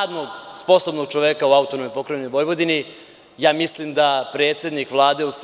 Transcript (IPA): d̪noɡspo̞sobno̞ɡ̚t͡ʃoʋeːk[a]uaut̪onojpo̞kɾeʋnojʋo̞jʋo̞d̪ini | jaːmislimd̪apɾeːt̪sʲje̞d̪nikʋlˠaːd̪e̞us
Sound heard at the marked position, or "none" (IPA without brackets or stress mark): a